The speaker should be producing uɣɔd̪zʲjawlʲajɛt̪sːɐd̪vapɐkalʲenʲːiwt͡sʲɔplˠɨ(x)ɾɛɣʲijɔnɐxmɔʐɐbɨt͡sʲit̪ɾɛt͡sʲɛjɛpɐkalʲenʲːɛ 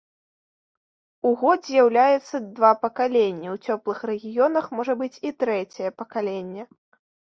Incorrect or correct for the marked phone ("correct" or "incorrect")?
correct